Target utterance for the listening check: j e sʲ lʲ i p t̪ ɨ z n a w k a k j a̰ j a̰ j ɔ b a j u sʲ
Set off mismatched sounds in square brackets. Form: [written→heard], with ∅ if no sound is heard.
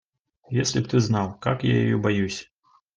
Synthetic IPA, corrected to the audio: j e sʲ lʲ i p t̪ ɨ z n a w k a k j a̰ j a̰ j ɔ b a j u sʲ